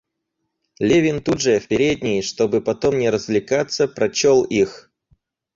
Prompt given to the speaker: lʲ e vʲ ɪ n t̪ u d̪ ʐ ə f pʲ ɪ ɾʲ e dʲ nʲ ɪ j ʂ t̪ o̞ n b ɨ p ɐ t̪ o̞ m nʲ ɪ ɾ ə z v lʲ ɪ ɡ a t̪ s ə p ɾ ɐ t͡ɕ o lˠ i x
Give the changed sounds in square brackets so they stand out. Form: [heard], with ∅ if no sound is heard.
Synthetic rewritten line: lʲ e vʲ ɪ n t̪ u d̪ ʐ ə f pʲ ɪ ɾʲ e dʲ nʲ ɪ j ʂ t̪ o̞ [∅] b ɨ p ɐ t̪ o̞ m nʲ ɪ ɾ ə z v lʲ ɪ [k] a t̪ s ə p ɾ ɐ t͡ɕ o lˠ i x